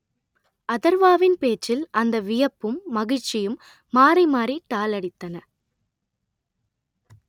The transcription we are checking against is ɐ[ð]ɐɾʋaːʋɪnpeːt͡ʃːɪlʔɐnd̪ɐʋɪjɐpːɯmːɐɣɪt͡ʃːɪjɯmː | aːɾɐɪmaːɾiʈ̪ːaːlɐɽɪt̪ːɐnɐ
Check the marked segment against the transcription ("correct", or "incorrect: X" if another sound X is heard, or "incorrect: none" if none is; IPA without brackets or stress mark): correct